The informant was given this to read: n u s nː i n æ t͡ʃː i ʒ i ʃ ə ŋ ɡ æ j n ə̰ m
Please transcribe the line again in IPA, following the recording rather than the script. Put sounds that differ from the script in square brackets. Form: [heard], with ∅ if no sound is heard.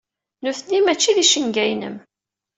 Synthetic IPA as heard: n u [θ] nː i [m] æ t͡ʃː i [ð] i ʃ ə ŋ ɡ æ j n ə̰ m